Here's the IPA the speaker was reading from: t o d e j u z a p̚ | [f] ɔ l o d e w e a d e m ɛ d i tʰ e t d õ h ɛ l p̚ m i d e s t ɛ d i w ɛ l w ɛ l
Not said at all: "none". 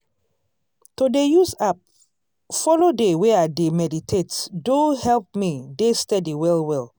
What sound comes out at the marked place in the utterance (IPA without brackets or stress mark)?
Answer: f